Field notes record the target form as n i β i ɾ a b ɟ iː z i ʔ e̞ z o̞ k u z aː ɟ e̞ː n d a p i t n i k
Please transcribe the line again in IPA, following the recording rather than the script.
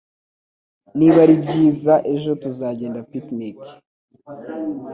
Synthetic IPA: n i β a ɾ i b ɟ iː z a ʔ e̞ ʒ o̞ t u z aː ɟ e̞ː n d a p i t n i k